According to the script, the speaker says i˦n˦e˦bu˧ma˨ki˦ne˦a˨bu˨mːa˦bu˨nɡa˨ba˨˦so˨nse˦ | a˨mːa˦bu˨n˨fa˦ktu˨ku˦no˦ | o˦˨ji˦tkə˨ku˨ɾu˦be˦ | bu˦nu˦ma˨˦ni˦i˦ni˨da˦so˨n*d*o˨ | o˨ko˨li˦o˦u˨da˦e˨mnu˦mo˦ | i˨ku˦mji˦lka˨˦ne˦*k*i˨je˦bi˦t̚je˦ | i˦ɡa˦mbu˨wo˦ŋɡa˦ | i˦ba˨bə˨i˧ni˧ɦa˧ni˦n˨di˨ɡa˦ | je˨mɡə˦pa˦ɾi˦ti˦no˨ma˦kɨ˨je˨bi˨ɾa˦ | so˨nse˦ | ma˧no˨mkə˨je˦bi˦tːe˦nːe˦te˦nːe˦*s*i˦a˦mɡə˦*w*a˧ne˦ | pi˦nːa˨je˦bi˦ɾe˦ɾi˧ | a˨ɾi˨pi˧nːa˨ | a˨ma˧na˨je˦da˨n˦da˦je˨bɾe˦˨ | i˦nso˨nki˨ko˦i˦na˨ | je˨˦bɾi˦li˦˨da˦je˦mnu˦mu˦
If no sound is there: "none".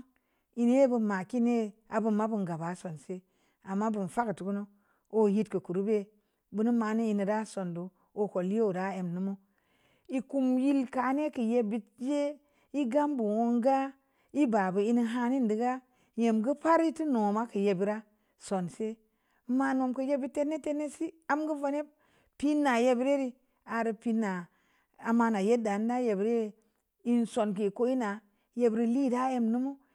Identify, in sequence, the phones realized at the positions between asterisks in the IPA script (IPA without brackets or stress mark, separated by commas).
d, k, s, v